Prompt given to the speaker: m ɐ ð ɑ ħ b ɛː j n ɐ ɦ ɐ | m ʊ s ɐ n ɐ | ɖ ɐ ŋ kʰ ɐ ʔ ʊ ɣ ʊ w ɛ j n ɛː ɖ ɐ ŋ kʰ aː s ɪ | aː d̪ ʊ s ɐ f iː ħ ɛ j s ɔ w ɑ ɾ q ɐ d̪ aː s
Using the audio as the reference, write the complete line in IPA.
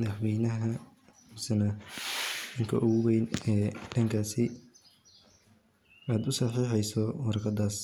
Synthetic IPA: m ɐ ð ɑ ħ w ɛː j n ɐ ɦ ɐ | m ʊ s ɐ n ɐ | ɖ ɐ ŋ kʰ ɐ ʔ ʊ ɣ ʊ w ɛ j n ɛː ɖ ɐ ŋ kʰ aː s ɪ | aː d̪ ʊ s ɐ ħ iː ħ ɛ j s ɔ w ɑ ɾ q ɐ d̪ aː s

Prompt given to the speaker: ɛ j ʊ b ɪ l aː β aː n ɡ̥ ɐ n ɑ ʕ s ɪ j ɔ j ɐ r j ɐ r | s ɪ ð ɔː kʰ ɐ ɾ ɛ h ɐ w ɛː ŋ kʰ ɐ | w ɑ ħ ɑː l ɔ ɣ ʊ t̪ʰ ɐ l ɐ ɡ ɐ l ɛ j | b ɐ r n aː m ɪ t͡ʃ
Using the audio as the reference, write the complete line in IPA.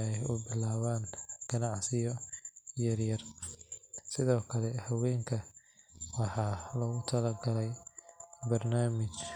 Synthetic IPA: ɛ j ʊ b ɪ l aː β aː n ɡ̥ ɐ n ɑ ʕ s ɪ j ɔ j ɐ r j ɐ r | s ɪ ð ɔː kʰ ɐ l ɛ h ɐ w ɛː ŋ kʰ ɐ | w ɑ ħ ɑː l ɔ ɣ ʊ t̪ʰ ɐ l ɐ ɡ ɐ l ɛ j | b ɐ r n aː m ɪ t͡ʃ

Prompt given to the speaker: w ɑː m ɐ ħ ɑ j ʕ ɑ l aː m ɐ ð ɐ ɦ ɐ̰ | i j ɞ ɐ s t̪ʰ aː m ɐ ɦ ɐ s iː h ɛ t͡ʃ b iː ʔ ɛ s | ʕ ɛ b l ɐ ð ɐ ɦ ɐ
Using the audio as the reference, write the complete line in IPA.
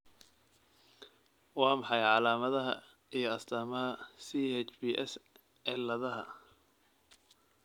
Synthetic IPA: w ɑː m ɑ ħ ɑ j ʕ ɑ l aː m ɐ ð ɐ ɦ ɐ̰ | i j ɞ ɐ s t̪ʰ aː m ɐ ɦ ɐ s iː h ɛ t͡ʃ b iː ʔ ɛ s | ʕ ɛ l ɐ ð ɐ ɦ ɐ

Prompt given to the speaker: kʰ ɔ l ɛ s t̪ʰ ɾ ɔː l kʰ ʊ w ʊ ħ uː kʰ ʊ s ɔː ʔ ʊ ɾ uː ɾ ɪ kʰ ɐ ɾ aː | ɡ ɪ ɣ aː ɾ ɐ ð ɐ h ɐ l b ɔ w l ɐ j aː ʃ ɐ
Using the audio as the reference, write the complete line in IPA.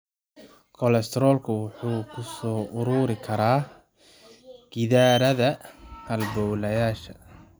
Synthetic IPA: kʰ ɔ l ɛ s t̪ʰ ɾ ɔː l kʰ ʊ w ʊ ħ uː kʰ ʊ s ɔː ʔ ʊ ɾ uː ɾ ɪ kʰ ɐ ɾ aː | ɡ ɪ ð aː ɾ ɐ ð ɐ h ɐ l b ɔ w l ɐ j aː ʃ ɐ

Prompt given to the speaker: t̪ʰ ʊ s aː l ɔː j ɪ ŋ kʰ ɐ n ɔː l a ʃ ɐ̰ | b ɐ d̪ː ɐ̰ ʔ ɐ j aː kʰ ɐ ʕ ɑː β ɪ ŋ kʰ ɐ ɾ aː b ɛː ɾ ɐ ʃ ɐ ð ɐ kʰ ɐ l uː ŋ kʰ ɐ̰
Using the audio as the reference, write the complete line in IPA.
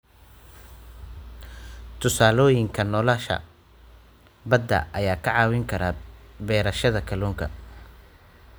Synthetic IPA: t̪ʰ ʊ s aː l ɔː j ɪ ŋ kʰ ɐ n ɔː l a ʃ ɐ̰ | b ɐ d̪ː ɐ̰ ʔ ɐ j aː kʰ ɐ ʕ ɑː w ɪ ŋ kʰ ɐ ɾ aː b ɛː ɾ ɐ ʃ ɐ ð ɐ kʰ ɐ l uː ŋ kʰ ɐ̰

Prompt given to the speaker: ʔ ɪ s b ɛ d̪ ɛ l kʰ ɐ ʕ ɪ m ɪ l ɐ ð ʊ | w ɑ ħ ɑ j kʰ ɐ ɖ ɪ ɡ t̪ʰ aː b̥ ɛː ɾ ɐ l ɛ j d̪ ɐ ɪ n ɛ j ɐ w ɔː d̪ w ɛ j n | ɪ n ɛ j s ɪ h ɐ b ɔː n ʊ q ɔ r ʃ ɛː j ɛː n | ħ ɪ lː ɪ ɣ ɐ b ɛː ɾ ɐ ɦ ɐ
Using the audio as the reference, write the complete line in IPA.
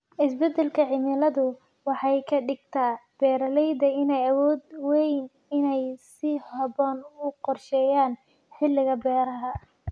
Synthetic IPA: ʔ ɪ s b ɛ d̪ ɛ l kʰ ɐ ʕ ɪ m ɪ l ɐ ð ʊ | w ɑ ħ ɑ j kʰ ɐ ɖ ɪ ɡ t̪ʰ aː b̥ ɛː ɾ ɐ l ɛ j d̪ ɐ ɪ n ɛ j ɐ w ɔː d̪ w ɛ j n | ɪ n ɛ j s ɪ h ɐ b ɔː n ʊ q ɔ r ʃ ɛː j aː n | ħ ɪ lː ɪ ɣ ɐ b ɛː ɾ ɐ ɦ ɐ

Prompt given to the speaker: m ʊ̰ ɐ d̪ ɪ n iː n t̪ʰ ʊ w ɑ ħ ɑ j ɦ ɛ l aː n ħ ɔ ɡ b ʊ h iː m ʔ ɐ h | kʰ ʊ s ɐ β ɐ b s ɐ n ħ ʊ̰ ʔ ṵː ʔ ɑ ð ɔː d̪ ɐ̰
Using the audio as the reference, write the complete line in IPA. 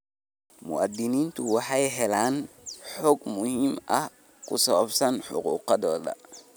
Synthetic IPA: m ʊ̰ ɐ d̪ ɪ n iː n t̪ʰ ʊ w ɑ ħ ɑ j ɦ ɛ l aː n ħ ɔ ɡ m ʊ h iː m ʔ ɐ h | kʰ ʊ s ɐ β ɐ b s ɐ n ħ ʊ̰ q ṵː q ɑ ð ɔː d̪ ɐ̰

